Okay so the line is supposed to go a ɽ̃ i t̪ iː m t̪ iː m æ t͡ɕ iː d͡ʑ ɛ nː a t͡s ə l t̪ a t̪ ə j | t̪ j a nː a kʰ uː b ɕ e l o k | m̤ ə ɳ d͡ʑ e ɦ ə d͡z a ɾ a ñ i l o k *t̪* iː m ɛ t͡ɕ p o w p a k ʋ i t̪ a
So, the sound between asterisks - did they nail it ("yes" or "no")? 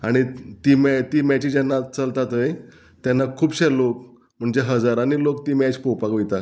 yes